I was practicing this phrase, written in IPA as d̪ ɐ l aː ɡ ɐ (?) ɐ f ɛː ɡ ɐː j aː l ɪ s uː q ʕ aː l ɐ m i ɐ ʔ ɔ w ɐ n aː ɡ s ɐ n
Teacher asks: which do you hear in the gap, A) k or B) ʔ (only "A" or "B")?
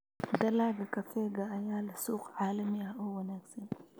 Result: A